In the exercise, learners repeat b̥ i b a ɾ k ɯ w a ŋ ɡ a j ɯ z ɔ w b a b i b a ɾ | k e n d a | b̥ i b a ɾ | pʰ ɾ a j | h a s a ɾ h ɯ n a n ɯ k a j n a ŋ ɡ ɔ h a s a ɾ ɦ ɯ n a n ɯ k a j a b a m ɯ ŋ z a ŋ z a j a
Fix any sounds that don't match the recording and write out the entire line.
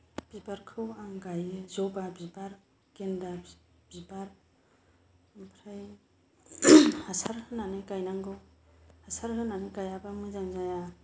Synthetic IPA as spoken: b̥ i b a ɾ kʰ ɯ w a ŋ ɡ a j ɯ z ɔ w b a b i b a ɾ | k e n d a | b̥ i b a ɾ | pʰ ɾ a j | h a s a ɾ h ɯ n a n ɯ k a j n a ŋ ɡ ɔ h a s a ɾ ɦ ɯ n a n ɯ k a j a b a m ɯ z a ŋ z a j a